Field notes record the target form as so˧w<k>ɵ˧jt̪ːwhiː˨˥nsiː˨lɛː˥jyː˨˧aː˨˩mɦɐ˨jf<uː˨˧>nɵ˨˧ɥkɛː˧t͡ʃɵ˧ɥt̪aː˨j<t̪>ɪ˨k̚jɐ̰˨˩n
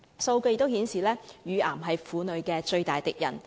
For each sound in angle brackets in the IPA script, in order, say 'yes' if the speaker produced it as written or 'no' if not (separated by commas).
yes, yes, yes